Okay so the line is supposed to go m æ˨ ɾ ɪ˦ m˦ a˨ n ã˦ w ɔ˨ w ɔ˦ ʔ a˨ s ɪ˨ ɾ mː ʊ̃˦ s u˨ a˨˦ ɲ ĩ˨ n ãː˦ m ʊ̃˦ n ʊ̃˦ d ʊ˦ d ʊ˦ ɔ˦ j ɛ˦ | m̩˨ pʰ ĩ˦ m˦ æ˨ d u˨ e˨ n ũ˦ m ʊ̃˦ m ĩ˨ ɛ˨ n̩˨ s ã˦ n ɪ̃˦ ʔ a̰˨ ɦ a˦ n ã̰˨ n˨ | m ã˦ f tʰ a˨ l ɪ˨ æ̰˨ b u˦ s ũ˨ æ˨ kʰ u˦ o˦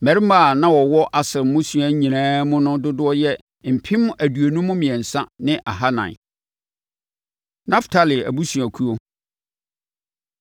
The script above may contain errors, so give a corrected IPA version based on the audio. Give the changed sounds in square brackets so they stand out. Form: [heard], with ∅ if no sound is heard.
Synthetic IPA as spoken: m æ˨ ɾ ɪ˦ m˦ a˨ n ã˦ w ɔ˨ w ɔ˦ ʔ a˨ s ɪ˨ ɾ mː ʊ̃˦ s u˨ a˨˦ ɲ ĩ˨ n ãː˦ m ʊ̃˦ n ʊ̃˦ d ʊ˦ d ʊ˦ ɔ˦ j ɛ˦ | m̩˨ pʰ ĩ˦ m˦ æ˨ d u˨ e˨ n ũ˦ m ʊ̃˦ m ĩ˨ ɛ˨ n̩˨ s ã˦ n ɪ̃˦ ʔ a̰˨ ɦ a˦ n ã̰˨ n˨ | [n] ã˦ f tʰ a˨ l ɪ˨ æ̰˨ b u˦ s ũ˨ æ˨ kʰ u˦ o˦